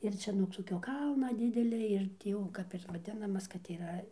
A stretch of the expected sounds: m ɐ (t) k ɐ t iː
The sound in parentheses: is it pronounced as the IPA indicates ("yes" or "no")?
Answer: no